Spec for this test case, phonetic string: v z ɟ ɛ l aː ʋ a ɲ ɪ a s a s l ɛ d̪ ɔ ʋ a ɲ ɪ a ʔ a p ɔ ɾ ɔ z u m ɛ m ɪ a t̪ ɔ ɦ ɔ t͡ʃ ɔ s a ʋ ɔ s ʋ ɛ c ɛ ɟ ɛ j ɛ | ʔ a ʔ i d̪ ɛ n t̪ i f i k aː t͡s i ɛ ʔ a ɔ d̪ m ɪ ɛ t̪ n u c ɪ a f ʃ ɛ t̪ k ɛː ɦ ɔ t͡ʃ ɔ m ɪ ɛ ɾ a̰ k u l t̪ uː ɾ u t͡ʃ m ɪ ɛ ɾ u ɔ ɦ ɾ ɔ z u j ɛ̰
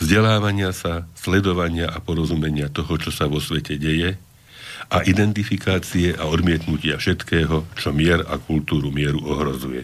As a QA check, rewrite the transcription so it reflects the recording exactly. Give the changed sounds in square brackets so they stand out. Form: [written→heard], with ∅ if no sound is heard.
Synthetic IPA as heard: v z ɟ ɛ l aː ʋ a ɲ ɪ a s a s l ɛ d̪ ɔ ʋ a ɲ ɪ a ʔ a p ɔ ɾ ɔ z u m ɛ [m→ɲ] ɪ a t̪ ɔ ɦ ɔ t͡ʃ ɔ s a ʋ ɔ s ʋ ɛ c ɛ ɟ ɛ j ɛ | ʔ a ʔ i d̪ ɛ n t̪ i f i k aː t͡s i ɛ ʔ a ɔ d̪ m ɪ ɛ t̪ n u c ɪ a f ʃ ɛ t̪ k ɛː ɦ ɔ t͡ʃ ɔ m ɪ ɛ ɾ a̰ k u l t̪ uː ɾ u [t͡ʃ→∅] m ɪ ɛ ɾ u ɔ ɦ ɾ ɔ z u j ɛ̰